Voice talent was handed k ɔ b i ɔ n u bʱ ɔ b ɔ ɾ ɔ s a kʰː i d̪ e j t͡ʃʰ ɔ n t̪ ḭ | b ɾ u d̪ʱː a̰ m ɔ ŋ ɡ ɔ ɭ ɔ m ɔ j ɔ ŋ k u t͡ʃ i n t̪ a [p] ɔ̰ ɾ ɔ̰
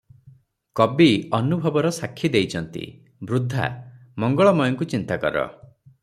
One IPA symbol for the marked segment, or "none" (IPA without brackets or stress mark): k